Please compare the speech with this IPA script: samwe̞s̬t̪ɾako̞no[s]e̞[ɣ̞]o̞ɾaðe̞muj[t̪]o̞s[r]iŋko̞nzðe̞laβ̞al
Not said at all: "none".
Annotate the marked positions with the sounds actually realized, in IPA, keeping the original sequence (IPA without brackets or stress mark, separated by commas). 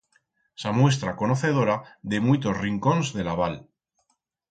θ, ð̞, t̪, r